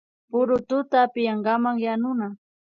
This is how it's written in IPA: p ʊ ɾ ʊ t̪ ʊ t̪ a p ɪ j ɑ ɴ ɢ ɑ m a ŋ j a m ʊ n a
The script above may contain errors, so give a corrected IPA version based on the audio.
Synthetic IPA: p ʊ ɾ ʊ t̪ ʊ t̪ a p ɪ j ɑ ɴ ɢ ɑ m a ŋ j a n ʊ n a